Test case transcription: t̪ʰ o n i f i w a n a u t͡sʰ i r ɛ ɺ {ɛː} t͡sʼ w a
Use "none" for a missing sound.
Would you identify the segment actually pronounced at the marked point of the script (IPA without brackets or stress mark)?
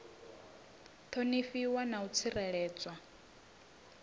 ɛː